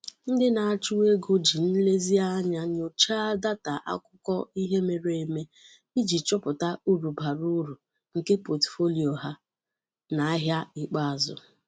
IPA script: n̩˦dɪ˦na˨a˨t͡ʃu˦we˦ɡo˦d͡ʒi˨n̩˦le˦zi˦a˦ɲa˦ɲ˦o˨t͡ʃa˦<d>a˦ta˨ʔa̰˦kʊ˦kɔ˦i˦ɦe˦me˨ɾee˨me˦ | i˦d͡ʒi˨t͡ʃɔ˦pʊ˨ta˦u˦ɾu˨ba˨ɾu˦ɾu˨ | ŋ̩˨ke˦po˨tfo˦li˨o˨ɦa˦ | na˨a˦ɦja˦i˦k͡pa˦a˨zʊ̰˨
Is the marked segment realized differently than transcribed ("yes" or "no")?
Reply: no